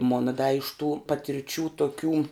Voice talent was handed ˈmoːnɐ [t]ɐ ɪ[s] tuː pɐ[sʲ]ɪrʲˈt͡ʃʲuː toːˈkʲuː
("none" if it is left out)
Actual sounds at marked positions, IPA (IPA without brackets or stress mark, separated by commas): d, ʃ, tʲ